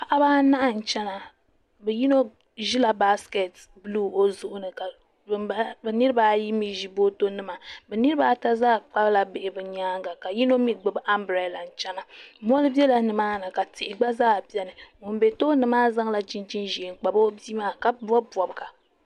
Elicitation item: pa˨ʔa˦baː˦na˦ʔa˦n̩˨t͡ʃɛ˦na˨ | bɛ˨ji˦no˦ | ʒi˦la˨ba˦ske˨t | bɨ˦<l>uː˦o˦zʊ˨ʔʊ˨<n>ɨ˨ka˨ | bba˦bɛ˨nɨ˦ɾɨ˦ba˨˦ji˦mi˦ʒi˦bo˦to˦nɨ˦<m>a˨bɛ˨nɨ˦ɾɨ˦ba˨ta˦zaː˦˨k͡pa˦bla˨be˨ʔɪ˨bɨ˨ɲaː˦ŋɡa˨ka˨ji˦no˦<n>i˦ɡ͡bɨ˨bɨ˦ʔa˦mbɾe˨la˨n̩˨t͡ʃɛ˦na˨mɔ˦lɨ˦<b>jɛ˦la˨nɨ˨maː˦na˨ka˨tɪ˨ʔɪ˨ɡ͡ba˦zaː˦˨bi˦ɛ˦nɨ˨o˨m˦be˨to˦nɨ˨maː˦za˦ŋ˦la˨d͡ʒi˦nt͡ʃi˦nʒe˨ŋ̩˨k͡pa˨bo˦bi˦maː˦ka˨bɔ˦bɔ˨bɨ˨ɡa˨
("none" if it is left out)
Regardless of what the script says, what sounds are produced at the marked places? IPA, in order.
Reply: l, n, m, m, b

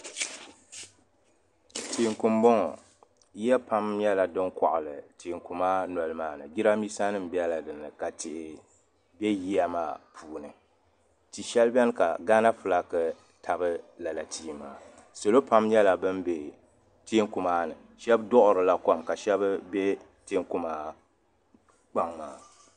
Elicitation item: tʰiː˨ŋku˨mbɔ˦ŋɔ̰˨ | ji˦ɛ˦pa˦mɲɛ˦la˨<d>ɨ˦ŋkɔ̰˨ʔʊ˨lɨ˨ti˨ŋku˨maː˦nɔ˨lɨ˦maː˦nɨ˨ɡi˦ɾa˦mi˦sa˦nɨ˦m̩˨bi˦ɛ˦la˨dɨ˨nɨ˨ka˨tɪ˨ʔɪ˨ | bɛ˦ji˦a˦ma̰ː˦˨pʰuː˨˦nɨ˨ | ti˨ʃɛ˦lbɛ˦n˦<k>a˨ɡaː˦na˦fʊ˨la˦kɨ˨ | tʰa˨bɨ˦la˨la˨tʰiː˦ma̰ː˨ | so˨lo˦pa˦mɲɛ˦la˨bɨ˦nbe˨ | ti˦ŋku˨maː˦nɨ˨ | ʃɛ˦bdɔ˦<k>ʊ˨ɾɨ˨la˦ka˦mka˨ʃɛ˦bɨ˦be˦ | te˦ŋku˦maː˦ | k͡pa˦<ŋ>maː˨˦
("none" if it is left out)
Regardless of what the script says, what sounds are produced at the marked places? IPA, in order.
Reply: d, k, ʔ, ŋ

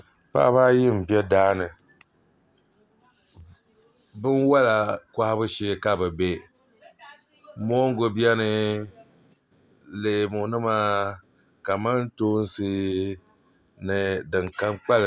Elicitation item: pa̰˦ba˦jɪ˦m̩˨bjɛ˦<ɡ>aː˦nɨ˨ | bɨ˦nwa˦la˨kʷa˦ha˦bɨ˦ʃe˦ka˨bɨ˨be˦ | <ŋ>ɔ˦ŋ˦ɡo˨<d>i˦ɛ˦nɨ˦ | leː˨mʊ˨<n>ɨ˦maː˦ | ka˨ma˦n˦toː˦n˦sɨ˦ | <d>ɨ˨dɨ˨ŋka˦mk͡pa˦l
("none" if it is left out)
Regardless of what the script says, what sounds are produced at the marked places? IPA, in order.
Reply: d, m, b, n, n

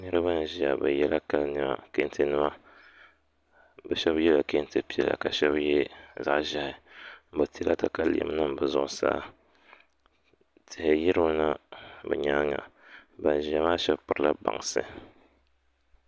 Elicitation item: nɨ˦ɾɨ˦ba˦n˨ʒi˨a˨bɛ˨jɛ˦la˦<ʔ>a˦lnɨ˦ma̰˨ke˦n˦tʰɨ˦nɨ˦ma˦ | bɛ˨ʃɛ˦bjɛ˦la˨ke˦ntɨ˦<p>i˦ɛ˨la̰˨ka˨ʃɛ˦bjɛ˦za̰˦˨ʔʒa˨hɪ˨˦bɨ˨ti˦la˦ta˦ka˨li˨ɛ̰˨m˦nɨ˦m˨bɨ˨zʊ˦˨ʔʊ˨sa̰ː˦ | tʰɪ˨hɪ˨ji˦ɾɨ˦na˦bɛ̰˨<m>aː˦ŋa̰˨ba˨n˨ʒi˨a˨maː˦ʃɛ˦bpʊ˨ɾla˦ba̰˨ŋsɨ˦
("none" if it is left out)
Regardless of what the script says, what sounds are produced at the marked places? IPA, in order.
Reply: k, p, ɲ

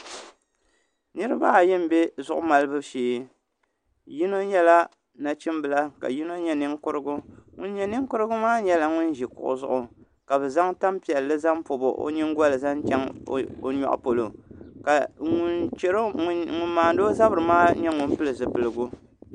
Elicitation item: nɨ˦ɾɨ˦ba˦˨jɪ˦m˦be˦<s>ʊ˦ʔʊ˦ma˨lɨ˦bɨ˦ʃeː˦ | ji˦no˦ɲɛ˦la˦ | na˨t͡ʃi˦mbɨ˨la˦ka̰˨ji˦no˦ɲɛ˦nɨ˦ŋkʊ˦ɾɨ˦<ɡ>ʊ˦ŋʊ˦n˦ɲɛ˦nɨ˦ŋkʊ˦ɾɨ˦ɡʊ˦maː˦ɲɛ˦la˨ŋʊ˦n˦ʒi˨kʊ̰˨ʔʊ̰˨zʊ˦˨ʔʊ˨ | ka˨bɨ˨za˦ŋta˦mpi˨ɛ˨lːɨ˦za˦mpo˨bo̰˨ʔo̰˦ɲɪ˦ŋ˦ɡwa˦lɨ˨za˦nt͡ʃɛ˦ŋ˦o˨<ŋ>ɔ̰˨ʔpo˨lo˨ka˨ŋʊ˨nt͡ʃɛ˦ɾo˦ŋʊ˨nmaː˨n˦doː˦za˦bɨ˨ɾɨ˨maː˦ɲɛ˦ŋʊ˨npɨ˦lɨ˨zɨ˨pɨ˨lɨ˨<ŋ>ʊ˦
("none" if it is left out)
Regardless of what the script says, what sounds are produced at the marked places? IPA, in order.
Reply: z, ɡ, ɲ, ɡ

